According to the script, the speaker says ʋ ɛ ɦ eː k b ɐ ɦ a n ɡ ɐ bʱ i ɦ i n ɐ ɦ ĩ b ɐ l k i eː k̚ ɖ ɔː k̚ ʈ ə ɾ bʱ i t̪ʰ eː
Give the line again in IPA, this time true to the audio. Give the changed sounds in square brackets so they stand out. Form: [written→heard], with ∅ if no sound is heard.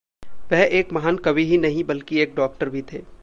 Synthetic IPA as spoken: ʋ ɛ ɦ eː k [b→m] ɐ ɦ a n [ɡ→k] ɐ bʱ i ɦ i n ɐ ɦ ĩ b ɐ l k i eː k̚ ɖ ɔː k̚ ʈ ə ɾ bʱ i t̪ʰ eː